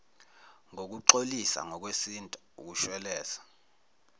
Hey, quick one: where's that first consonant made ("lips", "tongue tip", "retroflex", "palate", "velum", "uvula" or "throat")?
velum